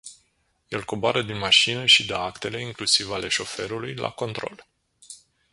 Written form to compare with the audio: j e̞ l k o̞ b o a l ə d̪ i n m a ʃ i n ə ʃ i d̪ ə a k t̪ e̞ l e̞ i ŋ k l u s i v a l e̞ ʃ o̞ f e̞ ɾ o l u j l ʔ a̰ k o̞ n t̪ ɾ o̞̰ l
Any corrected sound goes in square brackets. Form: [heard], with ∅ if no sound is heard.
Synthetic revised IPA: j e̞ l k o̞ b o a [ɾ] ə d̪ i n m a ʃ i n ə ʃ i d̪ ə a k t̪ e̞ l e̞ i ŋ k l u s i v a l e̞ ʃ o̞ f e̞ ɾ [u] l u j l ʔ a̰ k o̞ n t̪ ɾ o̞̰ l